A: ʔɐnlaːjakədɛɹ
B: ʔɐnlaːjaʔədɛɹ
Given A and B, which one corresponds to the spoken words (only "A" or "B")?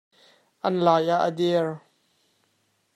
B